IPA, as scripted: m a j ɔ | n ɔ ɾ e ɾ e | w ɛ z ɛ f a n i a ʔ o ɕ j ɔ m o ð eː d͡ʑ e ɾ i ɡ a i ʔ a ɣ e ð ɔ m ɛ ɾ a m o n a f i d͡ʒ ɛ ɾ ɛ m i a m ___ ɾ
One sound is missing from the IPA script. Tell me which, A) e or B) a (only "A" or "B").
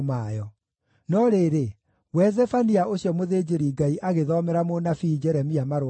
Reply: B